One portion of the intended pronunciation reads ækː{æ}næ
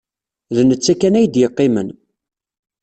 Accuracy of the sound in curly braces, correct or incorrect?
correct